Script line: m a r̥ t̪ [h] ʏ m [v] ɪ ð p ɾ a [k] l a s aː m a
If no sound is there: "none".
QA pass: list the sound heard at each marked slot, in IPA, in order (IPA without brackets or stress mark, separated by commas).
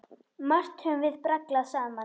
h, v, k